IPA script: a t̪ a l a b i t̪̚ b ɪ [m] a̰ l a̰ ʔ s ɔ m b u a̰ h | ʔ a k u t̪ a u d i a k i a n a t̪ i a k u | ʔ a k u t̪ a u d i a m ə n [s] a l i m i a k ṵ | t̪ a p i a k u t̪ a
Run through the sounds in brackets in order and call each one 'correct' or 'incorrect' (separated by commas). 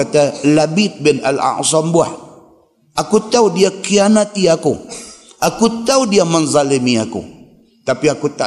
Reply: incorrect, incorrect